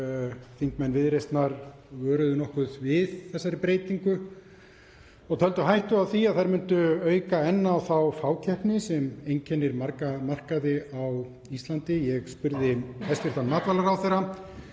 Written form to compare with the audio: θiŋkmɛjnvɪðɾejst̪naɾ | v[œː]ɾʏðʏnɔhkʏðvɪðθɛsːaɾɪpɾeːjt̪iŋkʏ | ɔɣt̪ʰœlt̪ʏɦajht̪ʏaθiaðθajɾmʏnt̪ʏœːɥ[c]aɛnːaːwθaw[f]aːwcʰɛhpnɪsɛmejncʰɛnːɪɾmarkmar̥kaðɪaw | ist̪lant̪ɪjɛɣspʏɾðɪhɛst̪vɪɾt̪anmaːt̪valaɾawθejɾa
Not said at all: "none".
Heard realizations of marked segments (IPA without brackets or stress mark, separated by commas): œː, k, f